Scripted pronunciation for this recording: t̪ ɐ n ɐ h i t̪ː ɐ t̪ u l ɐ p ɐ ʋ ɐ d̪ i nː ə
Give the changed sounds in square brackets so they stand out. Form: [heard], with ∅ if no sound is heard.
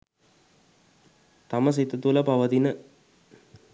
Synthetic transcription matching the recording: t̪ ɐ [m] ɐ [s] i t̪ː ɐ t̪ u l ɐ p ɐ ʋ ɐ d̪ i [n] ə